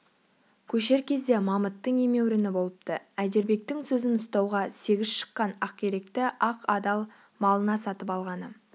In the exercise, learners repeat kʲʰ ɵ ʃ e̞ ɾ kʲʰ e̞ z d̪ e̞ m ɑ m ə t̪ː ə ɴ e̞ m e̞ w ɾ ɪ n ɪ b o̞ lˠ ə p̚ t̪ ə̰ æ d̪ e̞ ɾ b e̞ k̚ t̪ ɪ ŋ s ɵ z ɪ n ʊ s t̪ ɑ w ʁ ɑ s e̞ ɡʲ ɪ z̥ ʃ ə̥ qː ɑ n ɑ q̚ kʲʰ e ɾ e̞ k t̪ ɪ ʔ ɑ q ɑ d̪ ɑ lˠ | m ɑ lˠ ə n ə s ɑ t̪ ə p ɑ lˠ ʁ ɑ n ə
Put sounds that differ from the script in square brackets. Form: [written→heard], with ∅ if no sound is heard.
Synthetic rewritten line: kʲʰ ɵ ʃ e̞ ɾ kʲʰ e̞ z d̪ e̞ m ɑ m ə t̪ː ə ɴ e̞ m e̞ w ɾ ɪ n ɪ b o̞ lˠ ə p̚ t̪ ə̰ æ d̪ e̞ ɾ b e̞ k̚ t̪ ɪ ŋ s ɵ z ɪ n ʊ s t̪ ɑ w ʁ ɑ s e̞ ɡʲ ɪ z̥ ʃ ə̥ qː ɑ n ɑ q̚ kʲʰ e ɾ e̞ k t̪ ɪ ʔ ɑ q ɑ d̪ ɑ lˠ | m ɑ lˠ ə n [ə→ɑ] s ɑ t̪ ə p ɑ lˠ ʁ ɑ n ə